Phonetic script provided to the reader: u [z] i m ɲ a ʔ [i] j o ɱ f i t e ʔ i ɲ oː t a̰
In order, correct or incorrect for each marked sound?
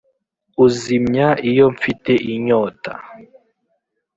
correct, correct

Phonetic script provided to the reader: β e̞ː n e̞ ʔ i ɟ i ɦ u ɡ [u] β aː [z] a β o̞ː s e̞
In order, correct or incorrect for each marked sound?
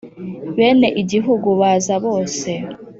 correct, correct

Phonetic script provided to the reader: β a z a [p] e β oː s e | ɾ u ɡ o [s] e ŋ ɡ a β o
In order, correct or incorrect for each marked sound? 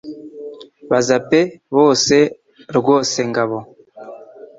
correct, correct

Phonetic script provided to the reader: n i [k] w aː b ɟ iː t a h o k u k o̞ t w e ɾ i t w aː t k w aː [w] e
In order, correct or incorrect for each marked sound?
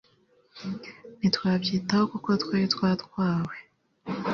incorrect, correct

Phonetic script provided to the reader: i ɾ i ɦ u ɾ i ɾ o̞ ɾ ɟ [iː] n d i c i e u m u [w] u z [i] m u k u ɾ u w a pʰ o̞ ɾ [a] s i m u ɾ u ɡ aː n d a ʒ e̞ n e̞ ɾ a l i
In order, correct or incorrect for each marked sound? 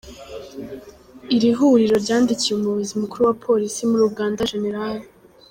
incorrect, incorrect, correct, incorrect

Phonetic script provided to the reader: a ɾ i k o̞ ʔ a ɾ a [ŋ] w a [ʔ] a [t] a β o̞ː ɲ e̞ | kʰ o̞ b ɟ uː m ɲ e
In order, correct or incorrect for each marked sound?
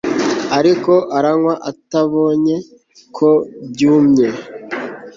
correct, correct, correct

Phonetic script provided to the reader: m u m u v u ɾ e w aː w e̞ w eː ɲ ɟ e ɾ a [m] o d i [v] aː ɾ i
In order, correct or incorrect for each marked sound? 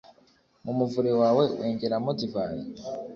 correct, correct

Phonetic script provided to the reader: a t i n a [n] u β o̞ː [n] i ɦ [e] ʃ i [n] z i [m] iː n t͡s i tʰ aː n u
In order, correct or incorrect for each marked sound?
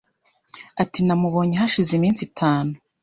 incorrect, incorrect, incorrect, incorrect, correct

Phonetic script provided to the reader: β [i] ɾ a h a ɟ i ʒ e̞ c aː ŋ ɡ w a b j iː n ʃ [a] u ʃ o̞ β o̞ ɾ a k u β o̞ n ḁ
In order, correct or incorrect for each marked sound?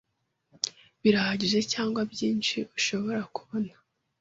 correct, incorrect

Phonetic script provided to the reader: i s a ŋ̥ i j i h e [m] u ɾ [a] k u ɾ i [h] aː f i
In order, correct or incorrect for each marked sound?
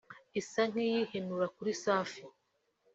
incorrect, correct, incorrect

